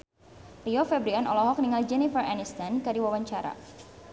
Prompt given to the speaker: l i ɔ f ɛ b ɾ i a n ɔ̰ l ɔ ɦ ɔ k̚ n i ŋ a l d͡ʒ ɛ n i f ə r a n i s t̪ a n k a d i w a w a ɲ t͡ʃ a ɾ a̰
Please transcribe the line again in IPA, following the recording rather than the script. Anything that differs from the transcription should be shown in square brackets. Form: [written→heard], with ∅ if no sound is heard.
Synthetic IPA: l i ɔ f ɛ b ɾ i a n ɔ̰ l ɔ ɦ ɔ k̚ n i ŋ a l d͡ʒ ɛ n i f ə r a n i s t̪ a n k a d i w a w a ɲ t͡ʃ a ɾ a̰

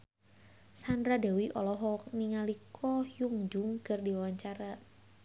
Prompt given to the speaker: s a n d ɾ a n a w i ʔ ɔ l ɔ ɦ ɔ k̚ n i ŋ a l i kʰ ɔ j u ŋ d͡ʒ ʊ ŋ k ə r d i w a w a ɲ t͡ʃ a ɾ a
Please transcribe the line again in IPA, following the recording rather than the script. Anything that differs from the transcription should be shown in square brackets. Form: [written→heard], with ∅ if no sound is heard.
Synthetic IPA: s a n d ɾ a [n→d] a w i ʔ ɔ l ɔ ɦ ɔ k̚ n i ŋ a l i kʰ ɔ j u ŋ d͡ʒ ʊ ŋ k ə r d i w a w a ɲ t͡ʃ a ɾ a

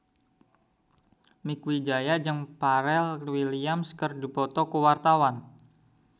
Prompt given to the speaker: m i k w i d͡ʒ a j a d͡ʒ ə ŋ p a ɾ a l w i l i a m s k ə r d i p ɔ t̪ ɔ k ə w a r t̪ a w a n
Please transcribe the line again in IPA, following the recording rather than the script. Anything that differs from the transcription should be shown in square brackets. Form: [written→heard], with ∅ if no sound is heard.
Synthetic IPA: m i k w i d͡ʒ a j a d͡ʒ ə ŋ p a ɾ [a→ɛ] l w i l i a m s k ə r d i p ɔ t̪ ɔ k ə w a r t̪ a w a n

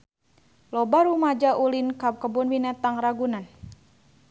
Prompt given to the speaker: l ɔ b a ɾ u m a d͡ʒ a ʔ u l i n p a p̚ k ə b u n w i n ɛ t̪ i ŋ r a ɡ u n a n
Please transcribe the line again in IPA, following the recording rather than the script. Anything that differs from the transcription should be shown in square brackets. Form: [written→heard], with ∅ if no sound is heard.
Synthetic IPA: l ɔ b a ɾ u m a d͡ʒ a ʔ u l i n [p→k] a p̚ k ə b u n w i n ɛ t̪ [i→a] ŋ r a ɡ u n a n

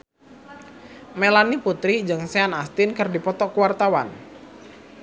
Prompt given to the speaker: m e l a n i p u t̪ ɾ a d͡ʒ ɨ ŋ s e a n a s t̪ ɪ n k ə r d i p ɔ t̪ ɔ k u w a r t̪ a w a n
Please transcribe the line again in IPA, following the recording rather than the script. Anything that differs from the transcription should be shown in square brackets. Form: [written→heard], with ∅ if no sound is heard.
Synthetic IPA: m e l a n i p u t̪ ɾ [a→i] d͡ʒ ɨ ŋ s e a n a s t̪ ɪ n k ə r d i p ɔ t̪ ɔ k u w a r t̪ a w a n

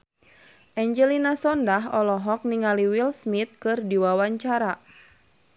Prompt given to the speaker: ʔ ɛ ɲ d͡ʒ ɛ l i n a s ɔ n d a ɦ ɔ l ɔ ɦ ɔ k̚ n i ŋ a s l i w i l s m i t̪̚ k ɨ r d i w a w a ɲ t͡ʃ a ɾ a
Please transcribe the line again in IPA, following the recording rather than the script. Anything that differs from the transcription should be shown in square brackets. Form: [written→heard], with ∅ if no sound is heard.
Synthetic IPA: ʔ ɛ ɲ d͡ʒ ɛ l i n a s ɔ n d a ɦ ɔ l ɔ ɦ ɔ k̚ n i ŋ a [s→∅] l i w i l s m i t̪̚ k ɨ r d i w a w a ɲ t͡ʃ a ɾ a

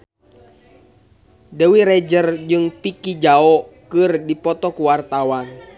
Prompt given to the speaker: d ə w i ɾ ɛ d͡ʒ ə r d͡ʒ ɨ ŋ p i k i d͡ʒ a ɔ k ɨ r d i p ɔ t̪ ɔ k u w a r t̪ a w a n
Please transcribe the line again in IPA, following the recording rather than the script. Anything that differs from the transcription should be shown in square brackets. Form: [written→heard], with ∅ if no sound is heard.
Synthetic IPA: d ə w i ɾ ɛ d͡ʒ ə r d͡ʒ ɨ ŋ p i k i d͡ʒ a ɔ k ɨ r d i p ɔ t̪ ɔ k u w a r t̪ a w a n

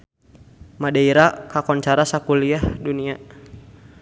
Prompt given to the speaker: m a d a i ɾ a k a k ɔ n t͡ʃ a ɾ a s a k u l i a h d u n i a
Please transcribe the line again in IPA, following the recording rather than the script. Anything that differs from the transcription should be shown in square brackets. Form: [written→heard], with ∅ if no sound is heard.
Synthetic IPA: m a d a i ɾ a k a k ɔ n t͡ʃ a ɾ a s a k u l i a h d u n i a

